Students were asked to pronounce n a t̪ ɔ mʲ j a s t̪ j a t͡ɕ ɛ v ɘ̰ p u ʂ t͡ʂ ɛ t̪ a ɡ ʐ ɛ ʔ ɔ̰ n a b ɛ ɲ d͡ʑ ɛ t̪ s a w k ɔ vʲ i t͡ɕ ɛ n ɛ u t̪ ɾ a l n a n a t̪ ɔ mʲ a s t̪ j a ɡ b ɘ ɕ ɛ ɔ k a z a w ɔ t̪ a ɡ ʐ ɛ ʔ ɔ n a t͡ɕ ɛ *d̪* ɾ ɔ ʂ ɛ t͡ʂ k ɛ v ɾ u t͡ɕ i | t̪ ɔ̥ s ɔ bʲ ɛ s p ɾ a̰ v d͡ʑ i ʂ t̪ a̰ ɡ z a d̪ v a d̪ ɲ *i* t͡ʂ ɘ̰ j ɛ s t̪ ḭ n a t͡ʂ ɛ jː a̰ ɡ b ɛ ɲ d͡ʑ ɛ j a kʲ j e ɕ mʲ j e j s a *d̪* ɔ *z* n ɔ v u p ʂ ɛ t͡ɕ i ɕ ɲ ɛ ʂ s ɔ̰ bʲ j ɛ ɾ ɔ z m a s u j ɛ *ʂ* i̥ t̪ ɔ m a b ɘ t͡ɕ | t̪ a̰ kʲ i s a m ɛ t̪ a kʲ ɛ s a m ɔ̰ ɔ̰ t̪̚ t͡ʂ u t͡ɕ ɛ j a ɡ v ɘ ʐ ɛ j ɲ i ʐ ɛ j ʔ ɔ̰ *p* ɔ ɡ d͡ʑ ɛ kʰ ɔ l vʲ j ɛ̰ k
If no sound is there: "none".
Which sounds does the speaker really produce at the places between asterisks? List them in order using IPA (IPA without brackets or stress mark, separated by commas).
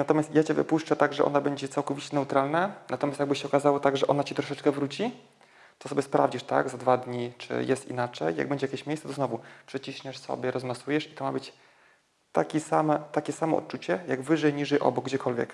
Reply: t̪, i, t̪, z, ʂ, b